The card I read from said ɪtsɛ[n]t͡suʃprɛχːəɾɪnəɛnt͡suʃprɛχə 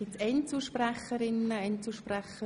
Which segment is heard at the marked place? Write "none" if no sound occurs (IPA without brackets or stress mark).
n